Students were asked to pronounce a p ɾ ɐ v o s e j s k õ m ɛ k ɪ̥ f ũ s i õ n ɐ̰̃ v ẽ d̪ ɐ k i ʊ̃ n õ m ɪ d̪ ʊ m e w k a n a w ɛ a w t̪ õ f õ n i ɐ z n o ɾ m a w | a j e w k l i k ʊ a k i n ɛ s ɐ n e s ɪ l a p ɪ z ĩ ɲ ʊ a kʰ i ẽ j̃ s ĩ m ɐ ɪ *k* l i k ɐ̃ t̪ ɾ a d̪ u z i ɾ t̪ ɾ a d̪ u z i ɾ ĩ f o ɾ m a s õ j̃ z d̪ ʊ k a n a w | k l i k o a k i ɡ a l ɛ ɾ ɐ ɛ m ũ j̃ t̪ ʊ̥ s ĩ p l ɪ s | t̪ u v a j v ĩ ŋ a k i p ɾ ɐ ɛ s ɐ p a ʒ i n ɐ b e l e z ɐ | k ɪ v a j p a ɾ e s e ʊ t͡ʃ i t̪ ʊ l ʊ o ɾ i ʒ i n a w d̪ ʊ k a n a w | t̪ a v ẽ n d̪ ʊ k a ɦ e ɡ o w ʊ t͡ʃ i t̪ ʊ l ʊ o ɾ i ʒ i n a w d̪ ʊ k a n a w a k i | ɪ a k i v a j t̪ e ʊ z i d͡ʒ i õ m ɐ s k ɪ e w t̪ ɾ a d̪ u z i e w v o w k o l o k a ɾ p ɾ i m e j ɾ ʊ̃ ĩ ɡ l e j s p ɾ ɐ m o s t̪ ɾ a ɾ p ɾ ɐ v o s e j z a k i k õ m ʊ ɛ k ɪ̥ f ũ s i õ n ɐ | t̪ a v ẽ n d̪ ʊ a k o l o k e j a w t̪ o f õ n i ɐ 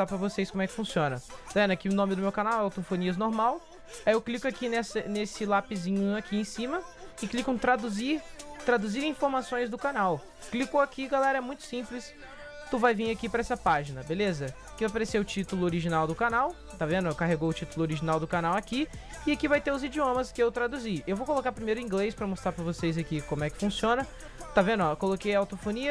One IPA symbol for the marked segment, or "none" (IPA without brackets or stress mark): k